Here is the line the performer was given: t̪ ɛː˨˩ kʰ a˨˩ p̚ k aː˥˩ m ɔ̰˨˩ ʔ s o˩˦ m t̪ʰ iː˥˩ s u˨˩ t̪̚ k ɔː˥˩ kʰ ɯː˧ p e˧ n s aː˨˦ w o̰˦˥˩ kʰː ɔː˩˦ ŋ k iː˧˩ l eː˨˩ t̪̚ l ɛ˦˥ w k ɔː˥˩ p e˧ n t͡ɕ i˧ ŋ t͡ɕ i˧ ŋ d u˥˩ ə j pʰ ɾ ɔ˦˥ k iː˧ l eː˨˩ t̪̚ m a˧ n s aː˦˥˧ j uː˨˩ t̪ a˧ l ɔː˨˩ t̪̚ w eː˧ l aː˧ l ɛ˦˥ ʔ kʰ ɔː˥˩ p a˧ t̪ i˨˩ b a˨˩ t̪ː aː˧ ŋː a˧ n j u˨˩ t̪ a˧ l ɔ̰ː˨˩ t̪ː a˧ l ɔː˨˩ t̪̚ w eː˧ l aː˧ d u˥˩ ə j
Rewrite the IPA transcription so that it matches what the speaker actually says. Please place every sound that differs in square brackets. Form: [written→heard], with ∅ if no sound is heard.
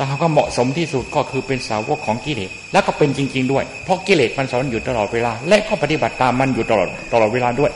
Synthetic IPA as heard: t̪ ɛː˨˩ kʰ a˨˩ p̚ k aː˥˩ m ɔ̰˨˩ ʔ s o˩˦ m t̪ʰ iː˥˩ s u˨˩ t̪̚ k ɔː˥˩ kʰ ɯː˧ p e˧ n s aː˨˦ w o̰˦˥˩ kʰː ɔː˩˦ ŋ k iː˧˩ l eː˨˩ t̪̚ l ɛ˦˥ w k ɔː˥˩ p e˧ n t͡ɕ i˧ ŋ t͡ɕ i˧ ŋ d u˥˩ ə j pʰ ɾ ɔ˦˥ k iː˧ l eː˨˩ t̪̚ m a˧ n s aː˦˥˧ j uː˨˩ t̪ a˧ l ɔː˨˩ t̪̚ w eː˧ l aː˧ l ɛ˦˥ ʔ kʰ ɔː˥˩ p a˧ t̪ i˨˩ b a˨˩ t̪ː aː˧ [ŋː→mː] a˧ n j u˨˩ t̪ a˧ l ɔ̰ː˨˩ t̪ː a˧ l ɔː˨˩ t̪̚ w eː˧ l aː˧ d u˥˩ ə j